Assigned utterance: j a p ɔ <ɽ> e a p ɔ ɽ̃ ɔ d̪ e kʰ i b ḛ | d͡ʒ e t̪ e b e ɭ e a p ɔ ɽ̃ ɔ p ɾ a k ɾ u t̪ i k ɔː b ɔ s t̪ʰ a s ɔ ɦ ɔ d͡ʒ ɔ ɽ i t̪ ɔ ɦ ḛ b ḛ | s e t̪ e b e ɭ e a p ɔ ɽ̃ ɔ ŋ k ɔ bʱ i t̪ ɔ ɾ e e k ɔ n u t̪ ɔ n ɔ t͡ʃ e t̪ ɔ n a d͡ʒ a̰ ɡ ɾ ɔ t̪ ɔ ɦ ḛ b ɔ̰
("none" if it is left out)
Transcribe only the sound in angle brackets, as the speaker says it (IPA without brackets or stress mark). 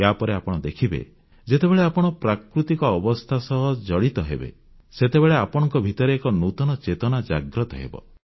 ɾ